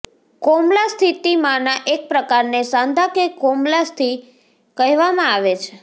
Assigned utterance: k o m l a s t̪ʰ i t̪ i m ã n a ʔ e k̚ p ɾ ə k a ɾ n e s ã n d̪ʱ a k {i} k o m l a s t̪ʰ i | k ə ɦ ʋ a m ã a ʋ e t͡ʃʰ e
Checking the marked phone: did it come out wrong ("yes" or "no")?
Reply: yes